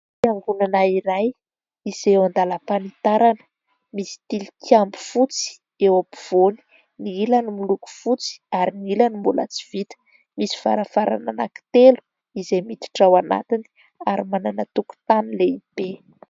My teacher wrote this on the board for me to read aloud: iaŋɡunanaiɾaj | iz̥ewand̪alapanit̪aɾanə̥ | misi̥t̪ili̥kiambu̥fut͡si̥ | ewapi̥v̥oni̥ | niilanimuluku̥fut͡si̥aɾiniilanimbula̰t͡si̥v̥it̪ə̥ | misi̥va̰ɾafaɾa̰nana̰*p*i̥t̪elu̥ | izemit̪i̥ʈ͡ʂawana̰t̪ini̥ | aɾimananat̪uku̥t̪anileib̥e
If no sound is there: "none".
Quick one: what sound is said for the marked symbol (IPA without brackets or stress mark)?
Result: k